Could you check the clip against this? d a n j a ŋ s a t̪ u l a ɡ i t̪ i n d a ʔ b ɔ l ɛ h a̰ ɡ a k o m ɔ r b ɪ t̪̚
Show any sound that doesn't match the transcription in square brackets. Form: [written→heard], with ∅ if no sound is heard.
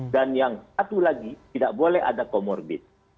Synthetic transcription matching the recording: d a n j a ŋ s a t̪ u l a ɡ i t̪ i [n→∅] d a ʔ b [ɔ→o] l ɛ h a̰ [ɡ→d] a k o m ɔ r b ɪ t̪̚